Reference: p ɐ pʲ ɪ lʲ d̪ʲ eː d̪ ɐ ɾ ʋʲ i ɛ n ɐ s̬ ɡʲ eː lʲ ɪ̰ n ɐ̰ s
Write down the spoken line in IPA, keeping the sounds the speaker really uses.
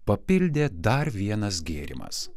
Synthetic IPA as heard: p ɐ pʲ ɪ lʲ d̪ʲ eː d̪ ɐ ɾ ʋʲ i ɛ n ɐ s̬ ɡʲ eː ɾʲ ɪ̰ m ɐ̰ s